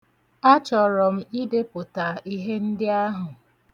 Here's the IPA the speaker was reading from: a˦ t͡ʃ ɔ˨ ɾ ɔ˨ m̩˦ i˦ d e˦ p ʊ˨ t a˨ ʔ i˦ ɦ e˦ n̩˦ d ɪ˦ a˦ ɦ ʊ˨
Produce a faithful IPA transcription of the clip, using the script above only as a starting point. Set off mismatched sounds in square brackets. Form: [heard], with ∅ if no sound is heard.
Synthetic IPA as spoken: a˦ t͡ʃ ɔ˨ ɾ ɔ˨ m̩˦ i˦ d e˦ p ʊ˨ t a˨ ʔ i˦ ɦ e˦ n̩˦ d ɪ˦ a˦ ɦ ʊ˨